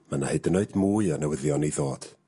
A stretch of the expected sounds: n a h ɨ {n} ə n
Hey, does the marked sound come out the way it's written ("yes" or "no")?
no